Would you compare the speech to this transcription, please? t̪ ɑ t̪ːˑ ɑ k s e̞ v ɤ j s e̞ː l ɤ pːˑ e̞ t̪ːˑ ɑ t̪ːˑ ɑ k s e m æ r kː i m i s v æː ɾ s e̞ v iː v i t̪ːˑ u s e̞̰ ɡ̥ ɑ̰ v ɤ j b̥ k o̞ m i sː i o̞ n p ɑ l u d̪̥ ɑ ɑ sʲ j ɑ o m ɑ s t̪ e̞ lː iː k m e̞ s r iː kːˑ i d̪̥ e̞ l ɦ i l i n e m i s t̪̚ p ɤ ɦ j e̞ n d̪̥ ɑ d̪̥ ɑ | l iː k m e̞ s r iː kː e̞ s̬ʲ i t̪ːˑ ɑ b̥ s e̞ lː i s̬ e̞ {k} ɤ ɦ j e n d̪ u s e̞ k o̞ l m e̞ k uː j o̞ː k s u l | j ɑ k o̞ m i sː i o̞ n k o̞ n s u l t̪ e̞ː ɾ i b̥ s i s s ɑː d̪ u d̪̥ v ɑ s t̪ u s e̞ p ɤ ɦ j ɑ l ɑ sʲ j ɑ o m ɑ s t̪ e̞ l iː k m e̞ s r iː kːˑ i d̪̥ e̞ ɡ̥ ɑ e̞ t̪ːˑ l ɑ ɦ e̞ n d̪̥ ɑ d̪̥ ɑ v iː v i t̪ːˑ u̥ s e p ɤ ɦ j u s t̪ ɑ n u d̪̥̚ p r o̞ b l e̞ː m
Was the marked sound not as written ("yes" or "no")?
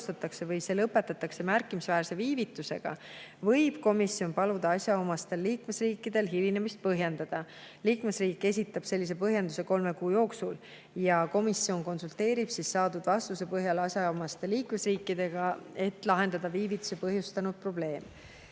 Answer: yes